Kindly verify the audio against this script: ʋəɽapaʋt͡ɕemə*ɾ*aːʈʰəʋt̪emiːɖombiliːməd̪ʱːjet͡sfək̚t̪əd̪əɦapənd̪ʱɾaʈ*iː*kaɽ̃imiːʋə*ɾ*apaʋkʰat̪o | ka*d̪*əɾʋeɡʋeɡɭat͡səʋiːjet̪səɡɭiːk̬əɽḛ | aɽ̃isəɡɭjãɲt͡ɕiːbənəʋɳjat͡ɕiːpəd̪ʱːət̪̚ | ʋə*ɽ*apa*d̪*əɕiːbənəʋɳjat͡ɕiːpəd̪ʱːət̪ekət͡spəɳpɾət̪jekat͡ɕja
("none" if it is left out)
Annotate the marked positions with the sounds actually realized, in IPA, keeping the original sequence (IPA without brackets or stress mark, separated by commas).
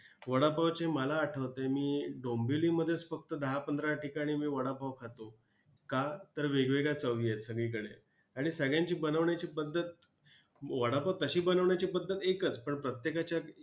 l, i, ɽ, t̪, ɽ, t̪